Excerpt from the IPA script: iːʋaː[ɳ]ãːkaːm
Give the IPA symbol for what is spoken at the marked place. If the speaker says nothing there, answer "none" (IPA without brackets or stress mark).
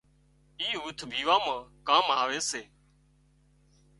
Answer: m